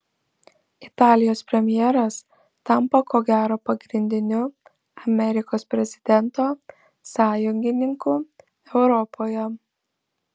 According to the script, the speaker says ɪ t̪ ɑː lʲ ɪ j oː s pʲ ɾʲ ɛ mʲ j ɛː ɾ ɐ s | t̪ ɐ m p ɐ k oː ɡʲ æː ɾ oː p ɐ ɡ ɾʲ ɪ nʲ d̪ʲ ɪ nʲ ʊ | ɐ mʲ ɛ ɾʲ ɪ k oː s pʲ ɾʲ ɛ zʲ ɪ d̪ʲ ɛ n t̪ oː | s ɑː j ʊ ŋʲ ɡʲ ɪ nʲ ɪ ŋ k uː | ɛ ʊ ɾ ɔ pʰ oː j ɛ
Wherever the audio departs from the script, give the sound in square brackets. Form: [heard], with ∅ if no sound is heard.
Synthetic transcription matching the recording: ɪ t̪ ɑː lʲ ɪ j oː s pʲ ɾʲ ɛ mʲ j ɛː ɾ ɐ s | t̪ ɐ m p ɐ k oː ɡʲ æː ɾ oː p ɐ ɡ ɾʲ ɪ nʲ d̪ʲ ɪ nʲ ʊ | ɐ mʲ ɛ ɾʲ ɪ k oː s pʲ ɾʲ ɛ zʲ ɪ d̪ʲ ɛ n t̪ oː | s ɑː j ʊ ŋʲ ɡʲ ɪ nʲ ɪ ŋ k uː | ɛ ʊ ɾ ɔ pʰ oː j ɛ